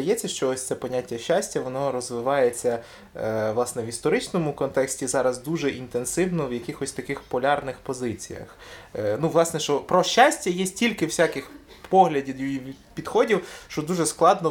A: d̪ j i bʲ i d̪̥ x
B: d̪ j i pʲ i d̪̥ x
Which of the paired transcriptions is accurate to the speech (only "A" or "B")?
B